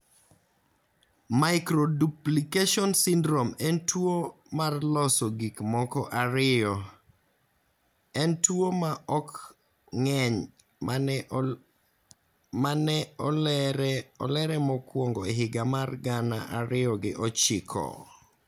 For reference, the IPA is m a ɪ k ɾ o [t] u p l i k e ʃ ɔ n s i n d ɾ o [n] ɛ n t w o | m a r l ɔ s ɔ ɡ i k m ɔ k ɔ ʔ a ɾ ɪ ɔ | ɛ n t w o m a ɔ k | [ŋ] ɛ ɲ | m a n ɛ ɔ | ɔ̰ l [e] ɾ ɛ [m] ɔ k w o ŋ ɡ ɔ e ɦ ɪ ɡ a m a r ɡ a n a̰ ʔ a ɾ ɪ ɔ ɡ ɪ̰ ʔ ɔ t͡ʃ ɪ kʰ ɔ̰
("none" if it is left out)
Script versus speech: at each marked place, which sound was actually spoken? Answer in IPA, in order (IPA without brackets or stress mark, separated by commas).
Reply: d, m, ŋ, ɛ, m